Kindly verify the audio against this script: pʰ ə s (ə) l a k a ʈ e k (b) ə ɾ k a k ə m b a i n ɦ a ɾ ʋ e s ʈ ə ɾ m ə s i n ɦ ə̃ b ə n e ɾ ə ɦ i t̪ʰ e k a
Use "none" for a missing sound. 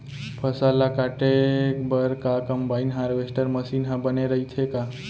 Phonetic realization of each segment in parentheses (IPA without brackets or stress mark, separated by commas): a, b